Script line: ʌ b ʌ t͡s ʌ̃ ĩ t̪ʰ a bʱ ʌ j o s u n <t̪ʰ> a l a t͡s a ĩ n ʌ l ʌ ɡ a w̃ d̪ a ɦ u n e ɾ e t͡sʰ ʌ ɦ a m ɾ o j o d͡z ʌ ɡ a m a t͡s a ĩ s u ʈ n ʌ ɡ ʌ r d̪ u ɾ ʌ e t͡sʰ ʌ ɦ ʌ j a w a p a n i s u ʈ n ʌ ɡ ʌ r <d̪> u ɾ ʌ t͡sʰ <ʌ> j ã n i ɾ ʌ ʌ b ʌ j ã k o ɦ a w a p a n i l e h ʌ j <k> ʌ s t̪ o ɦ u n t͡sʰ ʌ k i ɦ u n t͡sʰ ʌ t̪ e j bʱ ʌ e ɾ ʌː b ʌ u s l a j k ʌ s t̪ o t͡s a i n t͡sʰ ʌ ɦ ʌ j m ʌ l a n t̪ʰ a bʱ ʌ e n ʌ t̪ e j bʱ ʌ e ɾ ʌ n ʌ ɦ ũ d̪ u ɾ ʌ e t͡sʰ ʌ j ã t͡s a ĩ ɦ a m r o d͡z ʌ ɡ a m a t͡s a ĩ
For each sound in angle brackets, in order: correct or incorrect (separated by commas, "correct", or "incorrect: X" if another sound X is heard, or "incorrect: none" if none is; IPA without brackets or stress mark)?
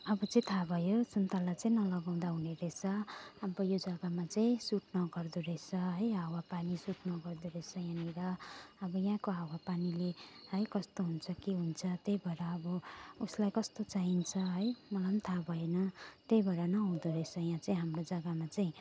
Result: incorrect: t̪, correct, correct, correct